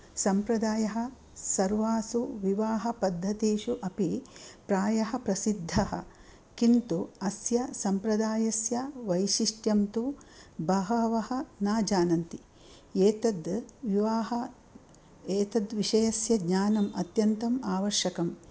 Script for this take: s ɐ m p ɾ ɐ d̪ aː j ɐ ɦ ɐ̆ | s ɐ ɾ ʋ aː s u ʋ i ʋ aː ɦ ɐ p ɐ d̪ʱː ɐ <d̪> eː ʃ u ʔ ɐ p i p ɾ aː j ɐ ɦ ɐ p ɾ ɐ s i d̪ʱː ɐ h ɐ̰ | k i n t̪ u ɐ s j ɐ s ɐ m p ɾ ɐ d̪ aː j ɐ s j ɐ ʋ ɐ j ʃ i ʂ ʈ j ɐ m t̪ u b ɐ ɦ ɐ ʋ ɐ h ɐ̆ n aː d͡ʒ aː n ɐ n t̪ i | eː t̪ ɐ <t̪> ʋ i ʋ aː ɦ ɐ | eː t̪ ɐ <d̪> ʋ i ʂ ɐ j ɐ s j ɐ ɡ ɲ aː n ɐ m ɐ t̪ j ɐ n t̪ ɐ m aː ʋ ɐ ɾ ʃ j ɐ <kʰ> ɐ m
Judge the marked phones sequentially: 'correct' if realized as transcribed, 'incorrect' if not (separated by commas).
incorrect, incorrect, correct, incorrect